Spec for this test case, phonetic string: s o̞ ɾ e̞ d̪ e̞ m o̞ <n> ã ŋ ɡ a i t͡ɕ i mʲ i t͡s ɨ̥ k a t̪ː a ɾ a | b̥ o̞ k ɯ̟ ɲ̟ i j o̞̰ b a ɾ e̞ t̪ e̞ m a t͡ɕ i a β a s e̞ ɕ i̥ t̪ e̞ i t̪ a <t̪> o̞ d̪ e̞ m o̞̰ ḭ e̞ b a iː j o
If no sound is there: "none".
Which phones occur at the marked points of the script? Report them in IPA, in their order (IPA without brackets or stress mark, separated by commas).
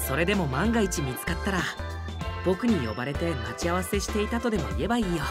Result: m, t̪